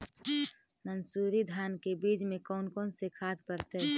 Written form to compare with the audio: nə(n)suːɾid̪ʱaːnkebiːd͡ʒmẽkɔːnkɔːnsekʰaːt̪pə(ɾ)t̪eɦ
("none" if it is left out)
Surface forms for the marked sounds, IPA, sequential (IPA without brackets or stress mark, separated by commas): n, ɾ